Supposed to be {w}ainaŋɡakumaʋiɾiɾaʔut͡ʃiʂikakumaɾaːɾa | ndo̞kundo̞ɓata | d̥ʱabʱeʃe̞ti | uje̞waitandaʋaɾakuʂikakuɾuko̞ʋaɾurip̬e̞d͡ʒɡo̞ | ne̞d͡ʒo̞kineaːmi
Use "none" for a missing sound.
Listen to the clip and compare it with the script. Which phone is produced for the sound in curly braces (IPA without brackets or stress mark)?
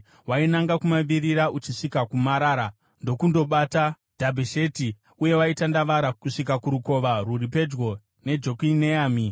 w